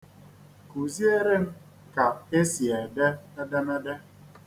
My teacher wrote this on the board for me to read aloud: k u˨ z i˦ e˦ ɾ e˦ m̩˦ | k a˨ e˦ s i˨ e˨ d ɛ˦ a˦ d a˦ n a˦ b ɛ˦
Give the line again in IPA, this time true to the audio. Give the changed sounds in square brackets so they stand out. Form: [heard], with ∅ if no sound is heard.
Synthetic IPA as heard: k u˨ z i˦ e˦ ɾ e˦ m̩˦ | k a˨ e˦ s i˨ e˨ d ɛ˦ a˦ d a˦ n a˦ [d] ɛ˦